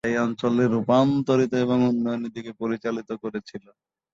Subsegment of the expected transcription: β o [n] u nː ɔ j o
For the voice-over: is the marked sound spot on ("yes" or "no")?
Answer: no